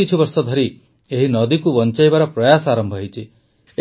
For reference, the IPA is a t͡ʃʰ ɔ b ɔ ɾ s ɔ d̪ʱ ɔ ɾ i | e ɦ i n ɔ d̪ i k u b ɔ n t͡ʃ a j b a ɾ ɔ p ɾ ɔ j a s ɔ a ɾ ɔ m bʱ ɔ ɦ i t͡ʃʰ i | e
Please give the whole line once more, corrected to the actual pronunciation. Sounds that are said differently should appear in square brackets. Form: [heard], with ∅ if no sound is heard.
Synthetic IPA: [i] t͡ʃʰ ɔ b ɔ ɾ s ɔ d̪ʱ ɔ ɾ i | e ɦ i n ɔ d̪ i k u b ɔ n t͡ʃ a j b a ɾ ɔ p ɾ ɔ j a s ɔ a ɾ ɔ m bʱ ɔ ɦ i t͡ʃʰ i | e